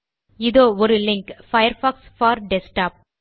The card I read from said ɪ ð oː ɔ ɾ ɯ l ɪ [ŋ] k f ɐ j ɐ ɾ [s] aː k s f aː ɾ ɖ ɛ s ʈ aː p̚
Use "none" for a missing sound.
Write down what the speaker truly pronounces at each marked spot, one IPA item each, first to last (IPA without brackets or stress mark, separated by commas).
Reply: ŋ, f